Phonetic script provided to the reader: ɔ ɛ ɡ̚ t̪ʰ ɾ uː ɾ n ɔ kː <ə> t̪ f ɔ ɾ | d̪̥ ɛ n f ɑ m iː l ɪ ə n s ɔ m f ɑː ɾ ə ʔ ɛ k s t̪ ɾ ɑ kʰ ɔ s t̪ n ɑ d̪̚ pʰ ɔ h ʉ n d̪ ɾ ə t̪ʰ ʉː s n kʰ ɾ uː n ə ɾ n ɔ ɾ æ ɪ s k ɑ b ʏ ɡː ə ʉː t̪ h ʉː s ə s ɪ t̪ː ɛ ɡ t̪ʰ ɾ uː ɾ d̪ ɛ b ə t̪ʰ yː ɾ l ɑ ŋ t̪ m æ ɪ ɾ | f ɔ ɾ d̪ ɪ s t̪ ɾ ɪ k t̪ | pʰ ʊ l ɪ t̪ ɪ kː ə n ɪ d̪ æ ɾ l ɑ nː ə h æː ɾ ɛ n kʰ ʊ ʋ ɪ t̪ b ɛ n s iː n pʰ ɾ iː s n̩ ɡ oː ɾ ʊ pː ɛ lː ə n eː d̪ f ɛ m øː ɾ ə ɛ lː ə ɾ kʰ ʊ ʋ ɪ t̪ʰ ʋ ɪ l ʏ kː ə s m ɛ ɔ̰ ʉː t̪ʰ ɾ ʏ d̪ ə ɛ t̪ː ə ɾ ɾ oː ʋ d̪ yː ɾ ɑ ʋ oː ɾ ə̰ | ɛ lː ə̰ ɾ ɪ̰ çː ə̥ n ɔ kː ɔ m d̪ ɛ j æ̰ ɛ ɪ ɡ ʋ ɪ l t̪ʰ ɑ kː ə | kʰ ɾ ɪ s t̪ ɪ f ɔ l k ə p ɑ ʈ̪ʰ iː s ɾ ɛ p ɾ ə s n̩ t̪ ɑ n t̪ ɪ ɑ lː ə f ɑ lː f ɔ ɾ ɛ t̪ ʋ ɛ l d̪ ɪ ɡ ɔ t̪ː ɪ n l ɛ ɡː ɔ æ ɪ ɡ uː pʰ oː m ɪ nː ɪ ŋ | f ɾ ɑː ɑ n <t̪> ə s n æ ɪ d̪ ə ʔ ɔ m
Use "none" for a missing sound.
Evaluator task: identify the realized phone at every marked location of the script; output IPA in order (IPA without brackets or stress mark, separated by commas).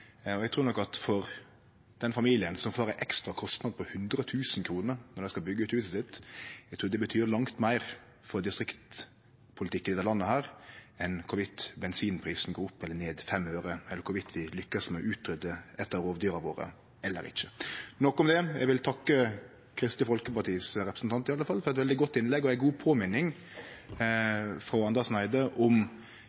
ɑ, d̪